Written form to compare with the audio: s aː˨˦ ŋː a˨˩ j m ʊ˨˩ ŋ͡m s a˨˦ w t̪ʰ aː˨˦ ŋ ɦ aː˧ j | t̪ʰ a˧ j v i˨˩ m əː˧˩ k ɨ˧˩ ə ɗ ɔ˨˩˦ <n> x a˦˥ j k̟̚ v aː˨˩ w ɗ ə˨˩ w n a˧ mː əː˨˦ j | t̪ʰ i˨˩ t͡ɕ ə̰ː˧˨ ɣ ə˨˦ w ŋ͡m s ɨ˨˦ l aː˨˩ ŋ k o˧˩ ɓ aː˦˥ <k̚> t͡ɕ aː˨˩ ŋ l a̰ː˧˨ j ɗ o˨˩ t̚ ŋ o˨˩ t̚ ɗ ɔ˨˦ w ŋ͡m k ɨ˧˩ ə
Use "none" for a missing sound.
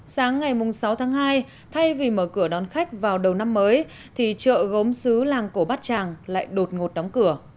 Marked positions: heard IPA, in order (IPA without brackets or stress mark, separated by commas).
n, t̚